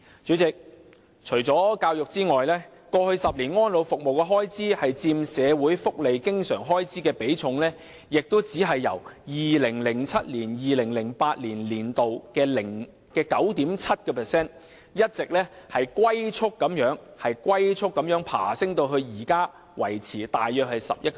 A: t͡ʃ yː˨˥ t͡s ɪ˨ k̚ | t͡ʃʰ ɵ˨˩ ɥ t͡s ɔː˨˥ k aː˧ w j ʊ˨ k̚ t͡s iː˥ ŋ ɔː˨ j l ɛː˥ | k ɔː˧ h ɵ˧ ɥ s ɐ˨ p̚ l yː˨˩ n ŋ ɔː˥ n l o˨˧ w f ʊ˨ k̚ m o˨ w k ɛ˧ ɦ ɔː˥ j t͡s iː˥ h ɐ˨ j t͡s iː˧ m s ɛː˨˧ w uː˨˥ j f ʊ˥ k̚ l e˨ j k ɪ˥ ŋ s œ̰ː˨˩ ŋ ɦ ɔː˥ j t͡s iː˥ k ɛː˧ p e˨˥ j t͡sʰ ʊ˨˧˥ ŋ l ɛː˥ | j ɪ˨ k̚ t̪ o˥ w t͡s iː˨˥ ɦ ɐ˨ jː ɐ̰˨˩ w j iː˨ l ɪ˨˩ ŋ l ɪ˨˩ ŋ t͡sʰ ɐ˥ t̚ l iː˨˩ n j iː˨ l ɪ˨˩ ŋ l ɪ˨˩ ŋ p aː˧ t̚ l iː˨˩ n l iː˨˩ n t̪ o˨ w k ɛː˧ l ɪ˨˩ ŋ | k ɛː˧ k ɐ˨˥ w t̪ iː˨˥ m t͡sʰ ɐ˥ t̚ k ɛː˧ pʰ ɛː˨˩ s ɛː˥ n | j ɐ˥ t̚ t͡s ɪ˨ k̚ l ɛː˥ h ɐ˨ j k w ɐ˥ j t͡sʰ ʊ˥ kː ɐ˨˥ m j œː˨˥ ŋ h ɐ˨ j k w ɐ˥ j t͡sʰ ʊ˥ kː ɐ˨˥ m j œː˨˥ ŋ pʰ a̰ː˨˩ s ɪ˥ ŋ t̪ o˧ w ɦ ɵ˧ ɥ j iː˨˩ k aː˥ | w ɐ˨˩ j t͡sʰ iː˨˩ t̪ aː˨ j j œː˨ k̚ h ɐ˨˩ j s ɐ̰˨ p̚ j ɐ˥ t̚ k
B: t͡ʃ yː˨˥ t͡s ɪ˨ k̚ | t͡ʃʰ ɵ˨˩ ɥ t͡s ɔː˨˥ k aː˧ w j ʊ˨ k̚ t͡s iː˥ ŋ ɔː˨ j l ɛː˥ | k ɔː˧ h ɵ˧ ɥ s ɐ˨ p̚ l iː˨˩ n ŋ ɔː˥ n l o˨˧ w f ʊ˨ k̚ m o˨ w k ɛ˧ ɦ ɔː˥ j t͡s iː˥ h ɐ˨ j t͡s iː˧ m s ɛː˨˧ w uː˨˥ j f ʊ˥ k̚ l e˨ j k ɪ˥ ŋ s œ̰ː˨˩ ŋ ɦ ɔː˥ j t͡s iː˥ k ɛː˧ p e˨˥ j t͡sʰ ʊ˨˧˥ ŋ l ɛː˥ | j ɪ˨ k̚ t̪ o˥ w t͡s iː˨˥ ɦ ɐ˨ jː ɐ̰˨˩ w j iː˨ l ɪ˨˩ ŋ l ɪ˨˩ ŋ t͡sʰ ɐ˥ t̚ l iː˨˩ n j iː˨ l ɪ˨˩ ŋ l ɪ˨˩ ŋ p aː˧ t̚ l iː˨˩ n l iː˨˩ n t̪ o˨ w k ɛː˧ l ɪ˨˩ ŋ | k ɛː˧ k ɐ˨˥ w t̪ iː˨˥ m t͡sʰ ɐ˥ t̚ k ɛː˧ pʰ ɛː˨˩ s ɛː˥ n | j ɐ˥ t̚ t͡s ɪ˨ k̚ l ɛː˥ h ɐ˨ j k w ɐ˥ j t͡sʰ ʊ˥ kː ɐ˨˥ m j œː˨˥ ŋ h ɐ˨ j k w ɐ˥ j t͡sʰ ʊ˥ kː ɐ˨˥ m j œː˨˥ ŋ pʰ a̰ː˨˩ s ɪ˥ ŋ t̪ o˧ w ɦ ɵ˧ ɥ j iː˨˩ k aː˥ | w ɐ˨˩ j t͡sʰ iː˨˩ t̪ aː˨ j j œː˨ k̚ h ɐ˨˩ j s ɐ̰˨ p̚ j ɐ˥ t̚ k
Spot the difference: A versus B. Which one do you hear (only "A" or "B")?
B